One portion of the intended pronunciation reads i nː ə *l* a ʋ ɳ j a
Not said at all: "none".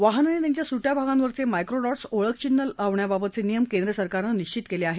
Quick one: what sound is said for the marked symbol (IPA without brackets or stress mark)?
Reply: l